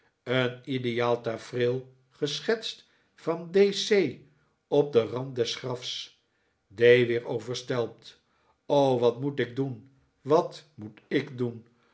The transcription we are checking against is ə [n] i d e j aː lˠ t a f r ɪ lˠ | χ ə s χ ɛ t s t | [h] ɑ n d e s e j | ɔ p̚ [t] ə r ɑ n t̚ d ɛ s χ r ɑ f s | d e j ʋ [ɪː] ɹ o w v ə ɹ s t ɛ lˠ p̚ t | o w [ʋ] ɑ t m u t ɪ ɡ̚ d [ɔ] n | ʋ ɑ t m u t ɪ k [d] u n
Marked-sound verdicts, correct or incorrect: correct, incorrect: f, incorrect: d, correct, correct, incorrect: u, correct

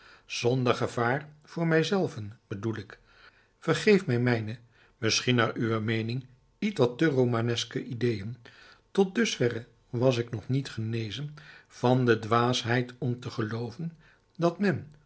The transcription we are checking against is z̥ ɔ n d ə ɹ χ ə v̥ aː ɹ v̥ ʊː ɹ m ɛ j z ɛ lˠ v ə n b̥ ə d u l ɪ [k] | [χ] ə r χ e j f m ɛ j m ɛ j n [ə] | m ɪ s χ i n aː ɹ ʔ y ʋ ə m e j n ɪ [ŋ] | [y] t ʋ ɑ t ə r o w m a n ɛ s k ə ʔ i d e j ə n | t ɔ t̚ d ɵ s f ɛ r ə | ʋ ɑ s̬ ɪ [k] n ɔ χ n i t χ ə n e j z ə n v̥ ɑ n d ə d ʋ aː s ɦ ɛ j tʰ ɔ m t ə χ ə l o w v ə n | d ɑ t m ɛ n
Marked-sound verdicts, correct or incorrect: correct, incorrect: f, correct, correct, incorrect: i, correct

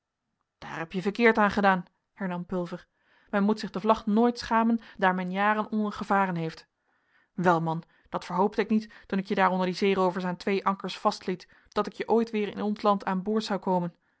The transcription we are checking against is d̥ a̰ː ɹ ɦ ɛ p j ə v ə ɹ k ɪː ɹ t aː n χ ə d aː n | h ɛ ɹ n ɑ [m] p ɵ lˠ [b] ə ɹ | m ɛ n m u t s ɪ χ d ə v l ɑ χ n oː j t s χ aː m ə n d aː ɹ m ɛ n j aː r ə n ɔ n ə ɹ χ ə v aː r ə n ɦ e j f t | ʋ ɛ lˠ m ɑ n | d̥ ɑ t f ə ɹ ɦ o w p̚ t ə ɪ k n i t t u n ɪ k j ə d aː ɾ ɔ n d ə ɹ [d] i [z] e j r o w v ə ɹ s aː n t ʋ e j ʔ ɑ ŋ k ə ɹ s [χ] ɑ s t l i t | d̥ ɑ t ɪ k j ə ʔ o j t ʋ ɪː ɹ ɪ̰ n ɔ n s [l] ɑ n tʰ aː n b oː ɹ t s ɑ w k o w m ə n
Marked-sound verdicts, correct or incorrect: correct, incorrect: v, correct, correct, incorrect: f, correct

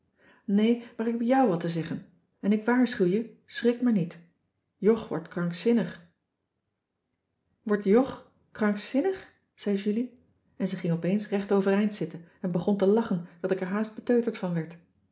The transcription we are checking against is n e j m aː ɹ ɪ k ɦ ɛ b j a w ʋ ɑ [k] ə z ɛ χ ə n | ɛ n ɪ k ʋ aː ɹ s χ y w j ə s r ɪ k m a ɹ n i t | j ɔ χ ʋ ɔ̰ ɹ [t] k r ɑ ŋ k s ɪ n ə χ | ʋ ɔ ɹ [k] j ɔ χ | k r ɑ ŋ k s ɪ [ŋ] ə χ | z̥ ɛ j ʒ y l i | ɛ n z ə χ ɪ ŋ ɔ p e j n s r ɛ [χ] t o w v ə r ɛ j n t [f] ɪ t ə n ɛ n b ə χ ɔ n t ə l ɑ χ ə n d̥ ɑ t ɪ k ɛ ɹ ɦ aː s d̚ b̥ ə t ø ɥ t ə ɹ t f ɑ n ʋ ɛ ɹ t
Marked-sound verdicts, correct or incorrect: incorrect: t, correct, incorrect: t, incorrect: n, correct, incorrect: s

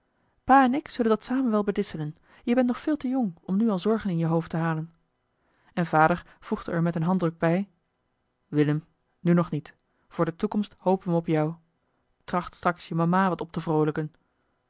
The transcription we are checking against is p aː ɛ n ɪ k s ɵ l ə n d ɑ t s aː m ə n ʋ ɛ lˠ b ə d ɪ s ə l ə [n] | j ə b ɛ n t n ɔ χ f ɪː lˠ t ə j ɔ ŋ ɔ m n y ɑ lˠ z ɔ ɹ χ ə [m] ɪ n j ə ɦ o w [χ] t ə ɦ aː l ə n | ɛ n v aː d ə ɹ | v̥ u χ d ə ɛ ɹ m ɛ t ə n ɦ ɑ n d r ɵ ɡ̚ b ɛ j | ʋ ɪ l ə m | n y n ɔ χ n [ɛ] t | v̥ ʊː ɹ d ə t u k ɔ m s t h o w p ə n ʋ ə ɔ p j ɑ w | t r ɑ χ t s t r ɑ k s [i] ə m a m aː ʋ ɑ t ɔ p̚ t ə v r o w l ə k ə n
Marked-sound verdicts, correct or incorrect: correct, incorrect: n, incorrect: f, incorrect: i, incorrect: j

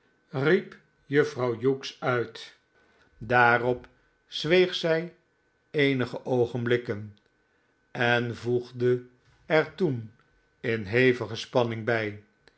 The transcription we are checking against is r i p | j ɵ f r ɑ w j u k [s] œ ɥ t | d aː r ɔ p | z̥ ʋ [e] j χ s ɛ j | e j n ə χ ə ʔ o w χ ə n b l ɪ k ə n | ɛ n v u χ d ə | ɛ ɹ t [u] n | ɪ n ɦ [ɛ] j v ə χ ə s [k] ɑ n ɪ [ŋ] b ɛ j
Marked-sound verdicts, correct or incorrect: correct, correct, correct, incorrect: e, incorrect: p, correct

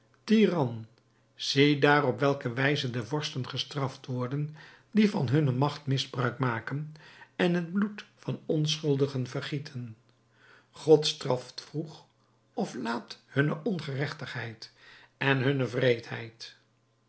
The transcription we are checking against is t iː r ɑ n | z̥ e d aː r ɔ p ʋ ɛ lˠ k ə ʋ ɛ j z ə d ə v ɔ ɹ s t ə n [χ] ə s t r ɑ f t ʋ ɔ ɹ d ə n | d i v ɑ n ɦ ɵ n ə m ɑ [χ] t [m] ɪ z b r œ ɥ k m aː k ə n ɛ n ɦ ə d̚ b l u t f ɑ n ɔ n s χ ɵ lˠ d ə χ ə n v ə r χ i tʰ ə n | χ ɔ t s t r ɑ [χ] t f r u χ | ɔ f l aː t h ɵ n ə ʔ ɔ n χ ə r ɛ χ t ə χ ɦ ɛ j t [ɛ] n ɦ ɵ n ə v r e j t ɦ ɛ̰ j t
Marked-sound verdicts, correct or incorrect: correct, correct, correct, incorrect: f, correct

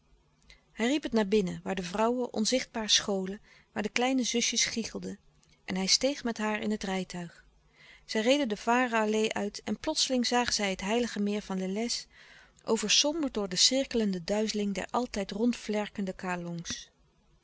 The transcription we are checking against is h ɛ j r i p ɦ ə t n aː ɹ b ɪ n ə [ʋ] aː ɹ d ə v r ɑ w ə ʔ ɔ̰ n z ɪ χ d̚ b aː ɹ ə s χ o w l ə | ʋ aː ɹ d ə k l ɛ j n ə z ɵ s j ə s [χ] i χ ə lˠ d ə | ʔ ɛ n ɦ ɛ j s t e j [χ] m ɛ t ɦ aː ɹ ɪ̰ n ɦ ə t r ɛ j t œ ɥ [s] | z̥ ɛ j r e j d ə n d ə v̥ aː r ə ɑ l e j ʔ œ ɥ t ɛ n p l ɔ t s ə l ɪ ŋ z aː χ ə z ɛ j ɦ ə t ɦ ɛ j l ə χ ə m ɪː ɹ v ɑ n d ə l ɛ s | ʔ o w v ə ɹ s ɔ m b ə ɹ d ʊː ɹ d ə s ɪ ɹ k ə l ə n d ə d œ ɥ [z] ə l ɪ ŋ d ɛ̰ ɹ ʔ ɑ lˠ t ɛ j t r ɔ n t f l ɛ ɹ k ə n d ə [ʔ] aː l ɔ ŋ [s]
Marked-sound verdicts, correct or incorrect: correct, correct, correct, incorrect: χ, correct, incorrect: k, correct

